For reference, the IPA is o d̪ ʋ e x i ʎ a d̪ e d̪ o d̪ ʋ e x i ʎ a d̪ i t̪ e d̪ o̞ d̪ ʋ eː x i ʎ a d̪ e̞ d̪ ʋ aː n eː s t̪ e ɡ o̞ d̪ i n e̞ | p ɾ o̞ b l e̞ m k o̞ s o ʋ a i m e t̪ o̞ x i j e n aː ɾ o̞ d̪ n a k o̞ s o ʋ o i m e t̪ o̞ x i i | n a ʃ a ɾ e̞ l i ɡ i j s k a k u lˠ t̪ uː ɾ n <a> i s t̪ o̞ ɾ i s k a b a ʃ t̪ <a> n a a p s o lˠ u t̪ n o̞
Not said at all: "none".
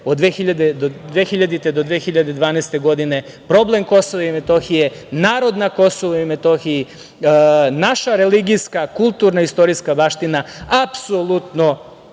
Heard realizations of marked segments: a, i

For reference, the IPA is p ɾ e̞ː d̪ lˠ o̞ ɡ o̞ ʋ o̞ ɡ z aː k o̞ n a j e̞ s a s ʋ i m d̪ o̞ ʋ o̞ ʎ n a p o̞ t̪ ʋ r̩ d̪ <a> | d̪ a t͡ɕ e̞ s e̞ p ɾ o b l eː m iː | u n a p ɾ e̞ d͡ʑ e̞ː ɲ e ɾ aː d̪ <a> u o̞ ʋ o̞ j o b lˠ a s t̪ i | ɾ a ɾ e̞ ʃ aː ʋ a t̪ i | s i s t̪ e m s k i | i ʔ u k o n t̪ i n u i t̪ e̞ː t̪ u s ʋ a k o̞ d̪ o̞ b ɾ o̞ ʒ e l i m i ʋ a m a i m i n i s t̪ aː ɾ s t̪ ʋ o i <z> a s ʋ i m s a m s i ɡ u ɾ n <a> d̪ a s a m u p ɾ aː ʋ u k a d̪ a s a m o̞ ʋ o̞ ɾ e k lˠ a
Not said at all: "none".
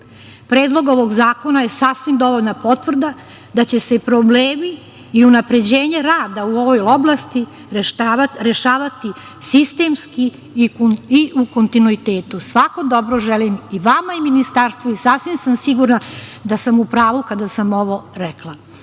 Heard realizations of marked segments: a, a, s, a

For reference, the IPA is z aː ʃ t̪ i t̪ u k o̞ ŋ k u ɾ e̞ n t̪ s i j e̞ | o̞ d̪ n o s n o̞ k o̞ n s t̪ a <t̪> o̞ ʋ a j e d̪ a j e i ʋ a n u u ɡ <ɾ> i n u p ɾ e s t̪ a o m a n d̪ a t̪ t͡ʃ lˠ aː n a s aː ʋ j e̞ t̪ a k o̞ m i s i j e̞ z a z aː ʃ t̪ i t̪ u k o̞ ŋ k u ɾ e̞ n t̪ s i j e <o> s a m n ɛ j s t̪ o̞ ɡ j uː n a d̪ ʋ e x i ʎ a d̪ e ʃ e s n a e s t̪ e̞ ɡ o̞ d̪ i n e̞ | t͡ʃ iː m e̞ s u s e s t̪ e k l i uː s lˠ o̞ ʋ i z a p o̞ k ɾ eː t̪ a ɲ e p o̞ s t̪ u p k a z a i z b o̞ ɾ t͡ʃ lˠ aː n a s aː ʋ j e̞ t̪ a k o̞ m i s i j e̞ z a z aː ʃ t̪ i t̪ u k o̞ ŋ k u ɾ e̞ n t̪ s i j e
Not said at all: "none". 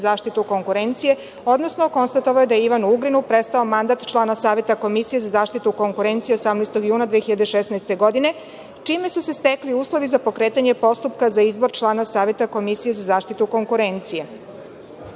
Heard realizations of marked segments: t̪, ɾ, o

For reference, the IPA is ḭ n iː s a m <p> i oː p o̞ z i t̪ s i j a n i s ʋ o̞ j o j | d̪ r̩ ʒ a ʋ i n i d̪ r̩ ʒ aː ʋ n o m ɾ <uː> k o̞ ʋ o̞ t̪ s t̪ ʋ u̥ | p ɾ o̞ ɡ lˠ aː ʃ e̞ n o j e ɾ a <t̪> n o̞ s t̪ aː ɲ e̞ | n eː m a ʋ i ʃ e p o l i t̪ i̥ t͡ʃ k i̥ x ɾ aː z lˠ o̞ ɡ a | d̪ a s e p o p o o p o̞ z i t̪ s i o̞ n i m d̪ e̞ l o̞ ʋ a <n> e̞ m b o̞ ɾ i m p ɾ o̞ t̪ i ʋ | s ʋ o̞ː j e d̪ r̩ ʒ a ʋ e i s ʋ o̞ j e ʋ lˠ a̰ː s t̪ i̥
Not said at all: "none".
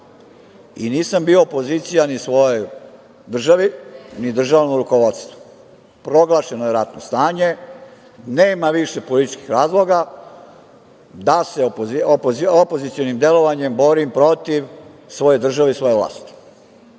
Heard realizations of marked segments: b, u, t̪, ɲ

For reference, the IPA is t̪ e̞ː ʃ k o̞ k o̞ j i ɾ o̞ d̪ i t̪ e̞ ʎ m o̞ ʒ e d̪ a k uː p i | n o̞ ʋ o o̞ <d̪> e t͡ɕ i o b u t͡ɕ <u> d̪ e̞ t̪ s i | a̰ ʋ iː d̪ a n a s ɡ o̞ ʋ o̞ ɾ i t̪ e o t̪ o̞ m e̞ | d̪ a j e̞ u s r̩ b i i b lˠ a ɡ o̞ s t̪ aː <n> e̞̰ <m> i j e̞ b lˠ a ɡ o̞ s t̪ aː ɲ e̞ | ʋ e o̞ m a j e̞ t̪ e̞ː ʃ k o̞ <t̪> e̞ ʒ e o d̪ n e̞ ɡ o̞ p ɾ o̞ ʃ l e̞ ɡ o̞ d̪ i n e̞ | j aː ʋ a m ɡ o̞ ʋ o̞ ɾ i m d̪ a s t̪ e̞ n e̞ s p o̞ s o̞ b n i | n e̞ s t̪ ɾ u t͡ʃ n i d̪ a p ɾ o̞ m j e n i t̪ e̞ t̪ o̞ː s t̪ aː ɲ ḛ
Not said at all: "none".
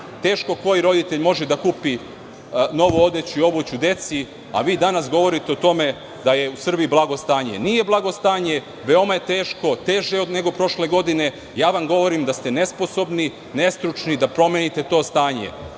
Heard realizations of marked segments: d̪, u, ɲ, n, t̪

